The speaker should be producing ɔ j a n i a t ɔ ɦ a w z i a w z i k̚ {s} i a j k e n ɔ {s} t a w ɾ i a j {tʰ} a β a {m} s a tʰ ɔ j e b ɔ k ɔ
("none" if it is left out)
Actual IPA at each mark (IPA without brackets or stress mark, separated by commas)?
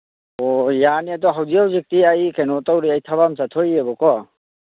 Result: t, none, tʰ, m